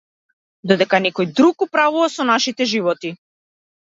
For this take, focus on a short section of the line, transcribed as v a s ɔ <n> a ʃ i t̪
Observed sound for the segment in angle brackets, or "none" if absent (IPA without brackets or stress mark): n